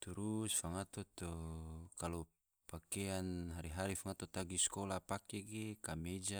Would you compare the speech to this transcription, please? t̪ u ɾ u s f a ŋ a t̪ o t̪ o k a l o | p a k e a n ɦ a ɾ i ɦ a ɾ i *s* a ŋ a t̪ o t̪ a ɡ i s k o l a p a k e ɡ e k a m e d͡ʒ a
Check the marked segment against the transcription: incorrect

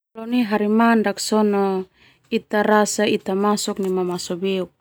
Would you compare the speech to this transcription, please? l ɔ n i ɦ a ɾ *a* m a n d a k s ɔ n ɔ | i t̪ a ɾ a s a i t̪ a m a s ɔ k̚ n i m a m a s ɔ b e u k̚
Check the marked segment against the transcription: incorrect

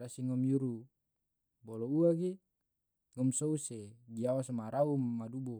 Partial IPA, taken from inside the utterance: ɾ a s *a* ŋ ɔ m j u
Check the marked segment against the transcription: incorrect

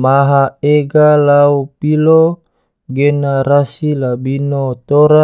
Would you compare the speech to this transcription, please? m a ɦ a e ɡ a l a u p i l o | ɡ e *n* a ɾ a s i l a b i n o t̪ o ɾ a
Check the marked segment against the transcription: correct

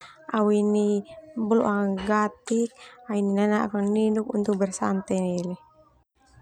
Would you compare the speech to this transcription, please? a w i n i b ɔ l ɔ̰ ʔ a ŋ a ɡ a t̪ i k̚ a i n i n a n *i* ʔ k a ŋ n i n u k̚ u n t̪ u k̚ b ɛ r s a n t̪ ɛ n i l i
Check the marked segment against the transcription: incorrect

